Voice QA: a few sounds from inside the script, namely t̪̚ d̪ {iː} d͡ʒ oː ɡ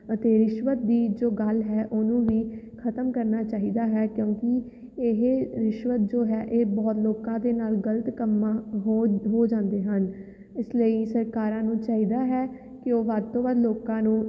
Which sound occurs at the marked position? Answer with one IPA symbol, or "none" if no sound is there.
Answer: iː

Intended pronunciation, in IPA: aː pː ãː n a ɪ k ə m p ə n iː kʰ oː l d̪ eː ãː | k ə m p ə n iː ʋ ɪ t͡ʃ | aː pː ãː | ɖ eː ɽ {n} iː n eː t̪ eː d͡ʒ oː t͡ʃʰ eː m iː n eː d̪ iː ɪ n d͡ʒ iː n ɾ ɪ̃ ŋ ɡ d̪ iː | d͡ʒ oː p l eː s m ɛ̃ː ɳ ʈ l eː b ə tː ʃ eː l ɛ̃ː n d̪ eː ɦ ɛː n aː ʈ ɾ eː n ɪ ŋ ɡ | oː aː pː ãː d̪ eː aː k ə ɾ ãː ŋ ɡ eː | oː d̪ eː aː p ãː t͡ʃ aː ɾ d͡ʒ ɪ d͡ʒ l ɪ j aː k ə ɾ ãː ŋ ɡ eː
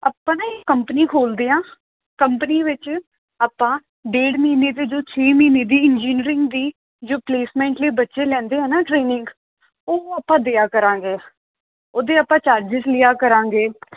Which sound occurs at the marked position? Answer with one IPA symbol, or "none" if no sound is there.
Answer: m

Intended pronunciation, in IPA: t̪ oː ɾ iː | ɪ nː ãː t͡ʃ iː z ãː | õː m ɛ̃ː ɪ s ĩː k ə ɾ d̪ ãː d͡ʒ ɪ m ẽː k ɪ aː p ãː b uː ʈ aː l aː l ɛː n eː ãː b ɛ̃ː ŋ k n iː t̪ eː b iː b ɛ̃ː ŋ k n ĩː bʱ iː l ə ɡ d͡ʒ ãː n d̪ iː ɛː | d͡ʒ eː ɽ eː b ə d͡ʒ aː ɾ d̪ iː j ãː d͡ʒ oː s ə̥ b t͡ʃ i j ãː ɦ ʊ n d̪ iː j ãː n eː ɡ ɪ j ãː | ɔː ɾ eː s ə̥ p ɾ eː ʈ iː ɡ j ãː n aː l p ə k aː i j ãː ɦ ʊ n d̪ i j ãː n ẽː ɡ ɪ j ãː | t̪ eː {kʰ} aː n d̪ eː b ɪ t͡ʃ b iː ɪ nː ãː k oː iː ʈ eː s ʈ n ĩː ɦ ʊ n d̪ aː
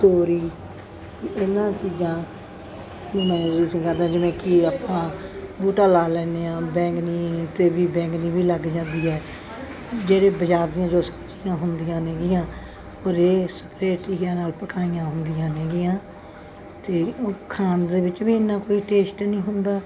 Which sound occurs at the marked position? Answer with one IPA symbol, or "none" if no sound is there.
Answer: kʰ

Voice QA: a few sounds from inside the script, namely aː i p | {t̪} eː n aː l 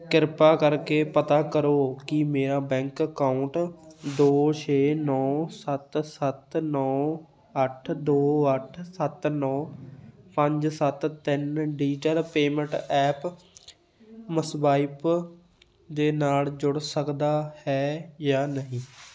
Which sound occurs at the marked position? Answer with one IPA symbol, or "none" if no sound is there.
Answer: d̪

